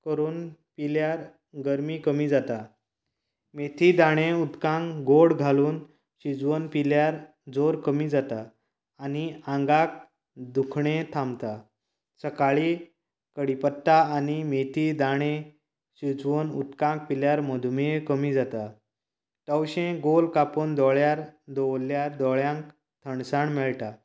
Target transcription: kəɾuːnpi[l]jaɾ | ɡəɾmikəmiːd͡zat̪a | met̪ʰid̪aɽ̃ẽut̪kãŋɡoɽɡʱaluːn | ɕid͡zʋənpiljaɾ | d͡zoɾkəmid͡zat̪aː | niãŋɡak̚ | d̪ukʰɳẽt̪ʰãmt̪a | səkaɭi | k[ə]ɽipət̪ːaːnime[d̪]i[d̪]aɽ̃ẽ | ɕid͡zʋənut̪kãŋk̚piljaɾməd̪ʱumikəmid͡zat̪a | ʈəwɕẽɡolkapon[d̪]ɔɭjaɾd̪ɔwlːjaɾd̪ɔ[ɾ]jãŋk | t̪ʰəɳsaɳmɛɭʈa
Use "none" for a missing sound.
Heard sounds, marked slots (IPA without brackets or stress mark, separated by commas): l, ə, t̪, d̪, d̪, ɭ